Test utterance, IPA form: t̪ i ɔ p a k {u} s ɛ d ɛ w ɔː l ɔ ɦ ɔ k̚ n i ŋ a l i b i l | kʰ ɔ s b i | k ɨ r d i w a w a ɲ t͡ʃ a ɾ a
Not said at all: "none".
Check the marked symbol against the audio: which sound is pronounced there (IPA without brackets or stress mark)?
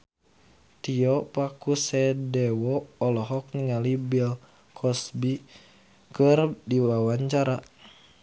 u